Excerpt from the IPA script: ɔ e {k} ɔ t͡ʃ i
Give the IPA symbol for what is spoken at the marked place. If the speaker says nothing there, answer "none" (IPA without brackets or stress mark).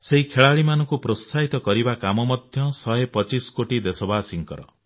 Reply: p